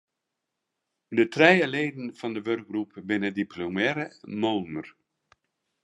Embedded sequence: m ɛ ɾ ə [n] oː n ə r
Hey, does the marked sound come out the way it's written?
no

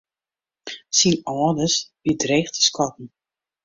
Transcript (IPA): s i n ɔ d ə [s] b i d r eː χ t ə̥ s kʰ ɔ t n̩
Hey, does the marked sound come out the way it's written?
yes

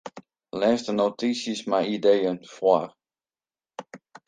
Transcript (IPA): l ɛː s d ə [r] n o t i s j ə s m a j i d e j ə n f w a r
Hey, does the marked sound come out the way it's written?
no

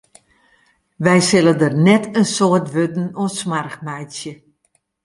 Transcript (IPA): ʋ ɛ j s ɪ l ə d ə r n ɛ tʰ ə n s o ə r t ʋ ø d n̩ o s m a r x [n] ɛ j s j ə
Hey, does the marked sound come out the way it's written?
no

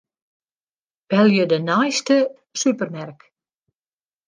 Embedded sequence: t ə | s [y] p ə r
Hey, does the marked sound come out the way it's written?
yes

